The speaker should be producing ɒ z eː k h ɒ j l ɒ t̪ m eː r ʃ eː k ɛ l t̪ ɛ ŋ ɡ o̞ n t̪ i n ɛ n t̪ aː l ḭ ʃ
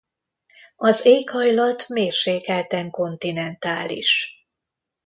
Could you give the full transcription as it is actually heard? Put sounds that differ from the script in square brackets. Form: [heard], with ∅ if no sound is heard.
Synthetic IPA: ɒ z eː k h ɒ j l ɒ t̪ m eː r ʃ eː k ɛ l t̪ ɛ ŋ [k] o̞ n t̪ i n ɛ n t̪ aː l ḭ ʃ